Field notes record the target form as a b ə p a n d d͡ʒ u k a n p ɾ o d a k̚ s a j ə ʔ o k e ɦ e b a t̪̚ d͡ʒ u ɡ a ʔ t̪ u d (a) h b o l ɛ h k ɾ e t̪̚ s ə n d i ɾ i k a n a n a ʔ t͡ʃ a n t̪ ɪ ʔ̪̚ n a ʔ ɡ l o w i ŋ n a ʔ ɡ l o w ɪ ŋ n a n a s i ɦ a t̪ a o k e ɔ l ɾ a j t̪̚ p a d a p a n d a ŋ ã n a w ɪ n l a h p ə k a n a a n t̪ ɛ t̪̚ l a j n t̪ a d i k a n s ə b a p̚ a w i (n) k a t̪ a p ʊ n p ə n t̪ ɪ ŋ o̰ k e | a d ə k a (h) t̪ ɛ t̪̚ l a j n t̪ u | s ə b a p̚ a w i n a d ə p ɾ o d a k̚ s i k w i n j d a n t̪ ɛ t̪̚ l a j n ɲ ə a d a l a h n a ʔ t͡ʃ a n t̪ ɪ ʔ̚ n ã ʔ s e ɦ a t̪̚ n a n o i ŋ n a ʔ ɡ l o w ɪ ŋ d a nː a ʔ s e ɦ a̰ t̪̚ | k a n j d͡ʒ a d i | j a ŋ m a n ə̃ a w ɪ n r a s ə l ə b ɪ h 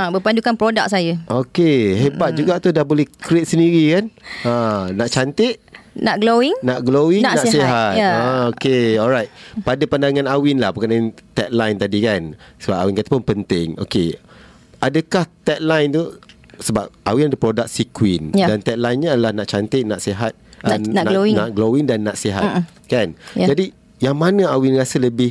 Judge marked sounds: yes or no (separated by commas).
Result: yes, yes, yes